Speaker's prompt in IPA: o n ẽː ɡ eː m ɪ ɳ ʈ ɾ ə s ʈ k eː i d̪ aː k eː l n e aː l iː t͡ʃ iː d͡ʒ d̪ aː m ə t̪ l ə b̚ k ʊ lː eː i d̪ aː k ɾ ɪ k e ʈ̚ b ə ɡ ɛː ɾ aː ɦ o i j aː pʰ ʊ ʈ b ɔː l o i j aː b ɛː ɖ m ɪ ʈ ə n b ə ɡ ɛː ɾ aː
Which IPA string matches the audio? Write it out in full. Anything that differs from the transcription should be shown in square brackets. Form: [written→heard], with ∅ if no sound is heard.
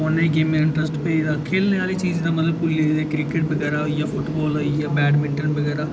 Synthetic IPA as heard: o n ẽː ɡ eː m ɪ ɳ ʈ ɾ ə s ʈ [k→p] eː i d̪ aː [k→kʰ] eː l n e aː l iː t͡ʃ iː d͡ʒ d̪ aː m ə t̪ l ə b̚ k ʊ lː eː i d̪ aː k ɾ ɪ k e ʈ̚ b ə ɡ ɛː ɾ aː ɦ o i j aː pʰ ʊ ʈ b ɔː l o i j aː b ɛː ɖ m ɪ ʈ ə n b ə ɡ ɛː ɾ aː